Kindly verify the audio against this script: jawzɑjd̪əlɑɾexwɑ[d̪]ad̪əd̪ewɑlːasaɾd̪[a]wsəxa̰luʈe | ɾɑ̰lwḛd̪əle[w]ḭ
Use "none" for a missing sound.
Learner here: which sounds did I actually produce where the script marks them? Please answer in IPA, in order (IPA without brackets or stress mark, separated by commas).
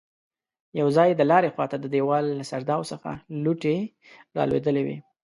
t̪, ɑ, w